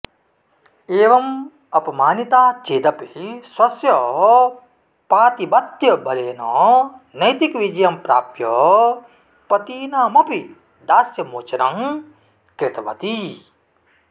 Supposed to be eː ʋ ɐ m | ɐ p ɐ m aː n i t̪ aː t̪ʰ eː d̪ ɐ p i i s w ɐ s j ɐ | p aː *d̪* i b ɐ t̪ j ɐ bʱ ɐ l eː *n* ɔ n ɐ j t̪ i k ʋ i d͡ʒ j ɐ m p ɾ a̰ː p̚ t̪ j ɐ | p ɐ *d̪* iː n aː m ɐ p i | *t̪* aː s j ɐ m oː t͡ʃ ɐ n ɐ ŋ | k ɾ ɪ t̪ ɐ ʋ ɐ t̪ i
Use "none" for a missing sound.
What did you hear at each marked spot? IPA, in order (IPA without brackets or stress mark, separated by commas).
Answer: t̪, n, t̪, d̪